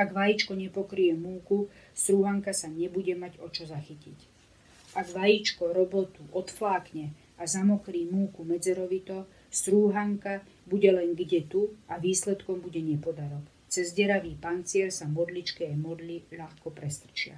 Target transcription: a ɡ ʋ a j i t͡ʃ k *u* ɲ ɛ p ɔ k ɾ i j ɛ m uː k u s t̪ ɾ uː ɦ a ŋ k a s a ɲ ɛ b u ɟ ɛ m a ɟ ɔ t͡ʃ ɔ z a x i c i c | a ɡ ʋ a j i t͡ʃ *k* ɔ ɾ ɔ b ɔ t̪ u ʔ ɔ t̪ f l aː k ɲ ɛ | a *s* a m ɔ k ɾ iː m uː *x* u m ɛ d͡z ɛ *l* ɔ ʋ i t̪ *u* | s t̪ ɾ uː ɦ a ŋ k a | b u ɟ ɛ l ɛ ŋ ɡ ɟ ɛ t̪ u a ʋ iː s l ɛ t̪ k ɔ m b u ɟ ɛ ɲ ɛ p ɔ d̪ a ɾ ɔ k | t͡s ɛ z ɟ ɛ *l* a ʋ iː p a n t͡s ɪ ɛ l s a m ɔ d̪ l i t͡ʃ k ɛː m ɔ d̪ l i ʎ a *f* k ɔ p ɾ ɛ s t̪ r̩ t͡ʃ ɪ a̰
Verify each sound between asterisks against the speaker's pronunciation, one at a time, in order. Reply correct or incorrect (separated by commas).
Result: incorrect, correct, incorrect, incorrect, incorrect, incorrect, incorrect, incorrect